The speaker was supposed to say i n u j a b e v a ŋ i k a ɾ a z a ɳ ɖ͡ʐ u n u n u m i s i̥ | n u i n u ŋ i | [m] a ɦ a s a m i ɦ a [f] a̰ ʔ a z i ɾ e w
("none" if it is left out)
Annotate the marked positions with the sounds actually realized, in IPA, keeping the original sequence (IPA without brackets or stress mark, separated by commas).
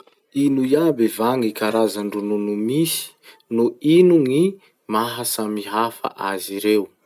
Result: m, f